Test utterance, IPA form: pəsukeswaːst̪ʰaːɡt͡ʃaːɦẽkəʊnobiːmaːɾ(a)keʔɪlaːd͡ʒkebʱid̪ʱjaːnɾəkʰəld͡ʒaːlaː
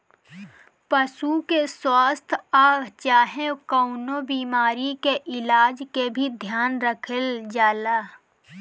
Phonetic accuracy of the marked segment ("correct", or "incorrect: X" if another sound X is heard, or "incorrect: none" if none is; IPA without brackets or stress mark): incorrect: i